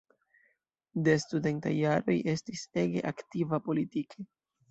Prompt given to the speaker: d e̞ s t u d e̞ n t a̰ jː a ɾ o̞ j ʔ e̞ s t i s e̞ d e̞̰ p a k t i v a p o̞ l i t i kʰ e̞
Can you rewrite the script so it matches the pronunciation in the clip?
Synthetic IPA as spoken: d e̞ s t u d e̞ n t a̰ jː a ɾ o̞ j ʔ e̞ s t i s e̞ ɡ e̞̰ ʔ a k t i v a p o̞ l i t i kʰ e̞